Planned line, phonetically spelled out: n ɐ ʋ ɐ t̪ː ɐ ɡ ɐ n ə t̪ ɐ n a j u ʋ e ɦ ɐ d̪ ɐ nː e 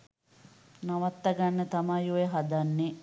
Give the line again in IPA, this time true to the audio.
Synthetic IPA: n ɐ ʋ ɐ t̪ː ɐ ɡ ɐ nː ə t̪ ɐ m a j u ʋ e ɦ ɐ d̪ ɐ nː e

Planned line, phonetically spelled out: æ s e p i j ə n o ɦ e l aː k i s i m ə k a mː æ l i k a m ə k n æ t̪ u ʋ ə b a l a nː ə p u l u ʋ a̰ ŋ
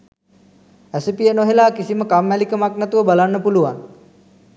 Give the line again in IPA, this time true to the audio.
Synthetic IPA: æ s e p i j ə n o ɦ e l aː k i s i m ə k a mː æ l i k ə m a k n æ t̪ u ʋ ə b a l a nː ə p u l u ʋ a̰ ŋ

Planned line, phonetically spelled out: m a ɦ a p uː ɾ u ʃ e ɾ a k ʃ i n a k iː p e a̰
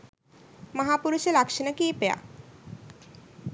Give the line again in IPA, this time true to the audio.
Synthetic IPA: m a ɦ a p u ɾ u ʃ e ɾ a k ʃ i n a k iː p e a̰

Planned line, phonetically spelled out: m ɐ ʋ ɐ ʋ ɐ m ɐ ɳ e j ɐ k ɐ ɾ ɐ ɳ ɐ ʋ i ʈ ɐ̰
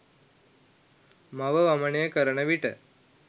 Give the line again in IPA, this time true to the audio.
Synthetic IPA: m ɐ ʋ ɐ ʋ ɐ m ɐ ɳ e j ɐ k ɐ ɾ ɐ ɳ ɐ ʋ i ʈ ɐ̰

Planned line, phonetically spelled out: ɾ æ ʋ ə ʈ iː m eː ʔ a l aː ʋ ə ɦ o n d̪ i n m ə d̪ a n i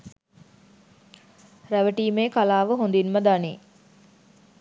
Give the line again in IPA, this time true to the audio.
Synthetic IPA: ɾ æ ʋ ə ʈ iː m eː k a l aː ʋ ə ɦ o n d̪ i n m ə d̪ a n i

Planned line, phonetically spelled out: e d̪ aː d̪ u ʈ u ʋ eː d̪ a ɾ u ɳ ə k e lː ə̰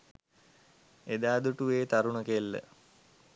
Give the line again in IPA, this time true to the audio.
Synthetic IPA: e d̪ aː d̪ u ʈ u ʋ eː t̪ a ɾ u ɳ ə k e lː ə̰

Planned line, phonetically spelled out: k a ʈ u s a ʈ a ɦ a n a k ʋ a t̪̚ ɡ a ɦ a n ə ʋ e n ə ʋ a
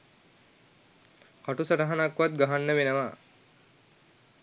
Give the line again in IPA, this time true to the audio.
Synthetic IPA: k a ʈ u s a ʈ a ɦ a n a k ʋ a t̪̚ ɡ a ɦ a nː ə ʋ e n ə ʋ a

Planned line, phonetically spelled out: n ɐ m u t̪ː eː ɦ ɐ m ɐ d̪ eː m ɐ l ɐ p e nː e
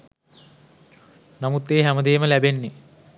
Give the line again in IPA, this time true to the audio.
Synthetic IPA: n ɐ m u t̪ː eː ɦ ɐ m ɐ d̪ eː m ɐ l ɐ b e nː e

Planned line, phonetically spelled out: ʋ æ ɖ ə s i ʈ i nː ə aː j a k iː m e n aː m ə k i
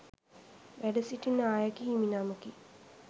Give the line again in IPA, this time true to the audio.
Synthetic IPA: ʋ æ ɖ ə s i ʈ i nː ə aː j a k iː m i n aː m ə k i

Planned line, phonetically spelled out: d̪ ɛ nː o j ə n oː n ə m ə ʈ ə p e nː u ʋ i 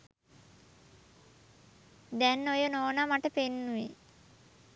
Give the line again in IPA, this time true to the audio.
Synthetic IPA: d̪ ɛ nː o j ə n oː n a m a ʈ ə p e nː u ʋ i

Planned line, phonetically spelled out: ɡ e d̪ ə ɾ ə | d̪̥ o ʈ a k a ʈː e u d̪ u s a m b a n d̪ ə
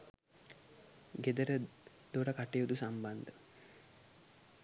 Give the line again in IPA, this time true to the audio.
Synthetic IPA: ɡ e d̪ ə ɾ ə | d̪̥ o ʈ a k a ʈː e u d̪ u s a m b a n d̪ ə

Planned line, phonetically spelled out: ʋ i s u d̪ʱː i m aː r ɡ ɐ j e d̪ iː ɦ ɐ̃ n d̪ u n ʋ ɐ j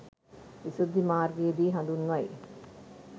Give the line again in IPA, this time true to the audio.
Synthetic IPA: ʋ i s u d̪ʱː i m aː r ɡ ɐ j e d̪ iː ɦ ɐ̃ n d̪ u n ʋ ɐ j

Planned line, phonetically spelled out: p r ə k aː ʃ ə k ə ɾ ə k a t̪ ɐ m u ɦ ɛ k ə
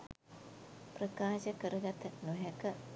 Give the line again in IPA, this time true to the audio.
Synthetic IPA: p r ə k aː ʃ ə k ə ɾ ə ɡ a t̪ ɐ n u ɦ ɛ k ə

